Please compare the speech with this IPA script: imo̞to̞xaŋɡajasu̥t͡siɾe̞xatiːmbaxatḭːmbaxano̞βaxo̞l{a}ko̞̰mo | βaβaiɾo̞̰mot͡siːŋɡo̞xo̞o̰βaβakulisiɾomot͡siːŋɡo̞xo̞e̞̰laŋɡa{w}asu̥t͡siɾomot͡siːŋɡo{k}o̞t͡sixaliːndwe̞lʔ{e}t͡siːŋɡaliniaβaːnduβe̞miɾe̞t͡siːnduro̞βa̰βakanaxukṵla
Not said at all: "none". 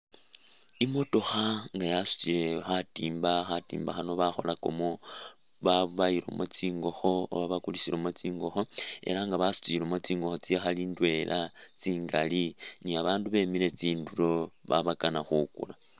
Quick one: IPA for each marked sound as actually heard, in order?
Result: a, β, x, a

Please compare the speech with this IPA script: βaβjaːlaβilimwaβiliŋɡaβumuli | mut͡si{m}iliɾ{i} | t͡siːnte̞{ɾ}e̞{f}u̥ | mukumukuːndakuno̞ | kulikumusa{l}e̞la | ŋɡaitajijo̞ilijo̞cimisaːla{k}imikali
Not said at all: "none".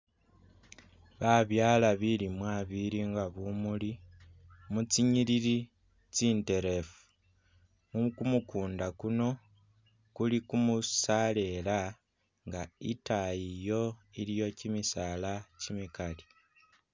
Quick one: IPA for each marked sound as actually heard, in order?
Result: ɲ, i, ɾ, f, l, c

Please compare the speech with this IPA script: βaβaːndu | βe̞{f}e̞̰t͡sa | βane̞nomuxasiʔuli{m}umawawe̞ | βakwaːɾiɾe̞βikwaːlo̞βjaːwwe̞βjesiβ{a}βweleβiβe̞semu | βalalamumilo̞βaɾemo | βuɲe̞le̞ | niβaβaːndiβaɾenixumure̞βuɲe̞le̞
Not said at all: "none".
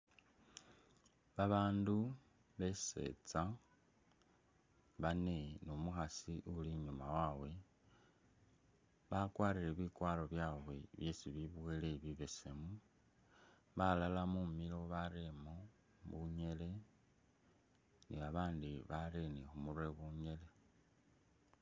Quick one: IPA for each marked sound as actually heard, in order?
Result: s, ɲ, i

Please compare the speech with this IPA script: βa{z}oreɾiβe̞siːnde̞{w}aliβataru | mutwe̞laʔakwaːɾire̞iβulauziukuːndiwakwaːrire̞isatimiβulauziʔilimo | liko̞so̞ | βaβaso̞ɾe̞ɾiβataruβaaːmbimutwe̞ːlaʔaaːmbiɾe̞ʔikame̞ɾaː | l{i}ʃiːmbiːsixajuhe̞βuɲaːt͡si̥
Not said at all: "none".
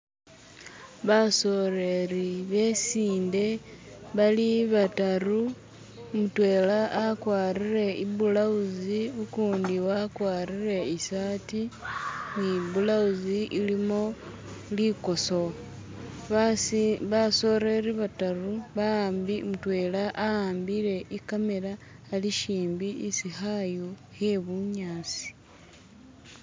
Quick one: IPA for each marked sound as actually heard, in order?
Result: s, β, i

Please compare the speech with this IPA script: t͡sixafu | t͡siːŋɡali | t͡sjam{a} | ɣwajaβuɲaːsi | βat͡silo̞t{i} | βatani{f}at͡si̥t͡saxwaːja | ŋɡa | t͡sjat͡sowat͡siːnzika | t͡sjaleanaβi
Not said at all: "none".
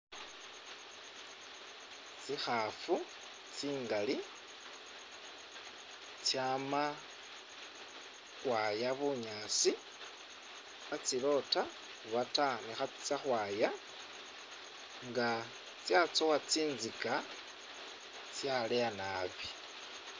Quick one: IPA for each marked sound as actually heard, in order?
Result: a, a, x

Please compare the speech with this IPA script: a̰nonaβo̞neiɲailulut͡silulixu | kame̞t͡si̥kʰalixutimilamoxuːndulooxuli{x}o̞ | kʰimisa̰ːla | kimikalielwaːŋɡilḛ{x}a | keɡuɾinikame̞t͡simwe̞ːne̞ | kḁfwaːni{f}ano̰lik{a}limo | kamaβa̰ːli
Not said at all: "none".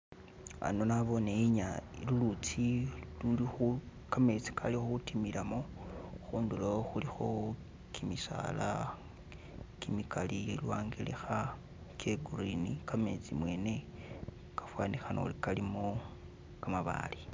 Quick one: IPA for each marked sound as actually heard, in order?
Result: x, x, x, a

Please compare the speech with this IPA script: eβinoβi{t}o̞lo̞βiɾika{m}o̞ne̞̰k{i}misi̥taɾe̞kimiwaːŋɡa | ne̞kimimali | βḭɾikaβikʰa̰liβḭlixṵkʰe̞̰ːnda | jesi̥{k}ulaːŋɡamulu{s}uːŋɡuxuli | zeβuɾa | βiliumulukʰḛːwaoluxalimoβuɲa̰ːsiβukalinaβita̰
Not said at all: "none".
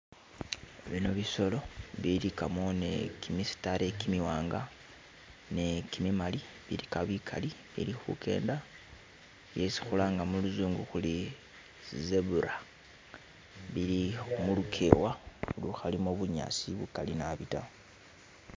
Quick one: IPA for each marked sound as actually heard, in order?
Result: s, m, i, x, z

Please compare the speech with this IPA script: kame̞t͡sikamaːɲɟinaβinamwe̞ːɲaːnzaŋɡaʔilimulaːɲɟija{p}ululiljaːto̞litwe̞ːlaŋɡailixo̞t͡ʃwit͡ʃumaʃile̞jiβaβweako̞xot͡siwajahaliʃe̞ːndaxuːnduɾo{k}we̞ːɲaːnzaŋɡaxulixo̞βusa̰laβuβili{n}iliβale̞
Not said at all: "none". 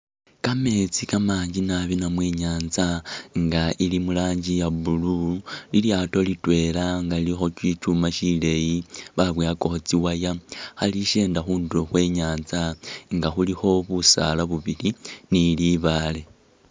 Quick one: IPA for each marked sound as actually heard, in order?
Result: b, x, n

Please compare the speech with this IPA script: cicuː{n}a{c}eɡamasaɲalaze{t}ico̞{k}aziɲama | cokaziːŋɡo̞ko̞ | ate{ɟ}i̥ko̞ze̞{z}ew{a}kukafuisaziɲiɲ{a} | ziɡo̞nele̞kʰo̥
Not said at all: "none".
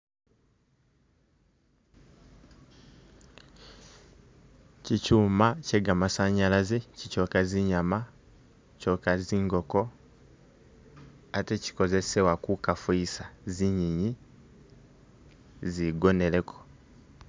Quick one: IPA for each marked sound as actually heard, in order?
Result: m, c, c, k, c, s, a, i

